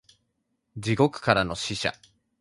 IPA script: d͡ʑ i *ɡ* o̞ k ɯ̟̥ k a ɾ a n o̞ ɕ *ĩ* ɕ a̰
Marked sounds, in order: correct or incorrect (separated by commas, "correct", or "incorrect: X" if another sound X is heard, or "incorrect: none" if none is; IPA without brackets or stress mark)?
correct, incorrect: i